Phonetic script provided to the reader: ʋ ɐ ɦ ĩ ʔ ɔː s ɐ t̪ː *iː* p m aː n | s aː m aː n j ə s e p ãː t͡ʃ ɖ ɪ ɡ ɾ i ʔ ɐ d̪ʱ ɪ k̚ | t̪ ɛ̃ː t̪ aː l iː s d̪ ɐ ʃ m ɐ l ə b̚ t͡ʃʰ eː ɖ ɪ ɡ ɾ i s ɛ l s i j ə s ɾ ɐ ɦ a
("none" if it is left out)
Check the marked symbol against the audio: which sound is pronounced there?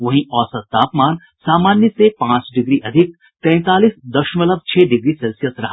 aː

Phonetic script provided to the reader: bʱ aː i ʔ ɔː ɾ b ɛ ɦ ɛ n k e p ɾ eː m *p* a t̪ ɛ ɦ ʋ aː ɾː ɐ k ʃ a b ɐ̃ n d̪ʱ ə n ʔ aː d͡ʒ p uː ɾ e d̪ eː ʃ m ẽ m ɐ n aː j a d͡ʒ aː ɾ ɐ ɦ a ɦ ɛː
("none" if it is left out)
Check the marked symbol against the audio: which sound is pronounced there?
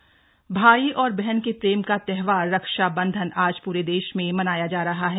k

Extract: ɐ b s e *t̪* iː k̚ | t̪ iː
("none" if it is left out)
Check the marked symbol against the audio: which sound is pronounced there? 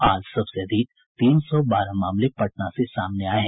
d̪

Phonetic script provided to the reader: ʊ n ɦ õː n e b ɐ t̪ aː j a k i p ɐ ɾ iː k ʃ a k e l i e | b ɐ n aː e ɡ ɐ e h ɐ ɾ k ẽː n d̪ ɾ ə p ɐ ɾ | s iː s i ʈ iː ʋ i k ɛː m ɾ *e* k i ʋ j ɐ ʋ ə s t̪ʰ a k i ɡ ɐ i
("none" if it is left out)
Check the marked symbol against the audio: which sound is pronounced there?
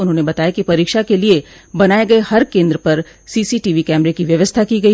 e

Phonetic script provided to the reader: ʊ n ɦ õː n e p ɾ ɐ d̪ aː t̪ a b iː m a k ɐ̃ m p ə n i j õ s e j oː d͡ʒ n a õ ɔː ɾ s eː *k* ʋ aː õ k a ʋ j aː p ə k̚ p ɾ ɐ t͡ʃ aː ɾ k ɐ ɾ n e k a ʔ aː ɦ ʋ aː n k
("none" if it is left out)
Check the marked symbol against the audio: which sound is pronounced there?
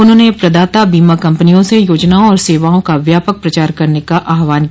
none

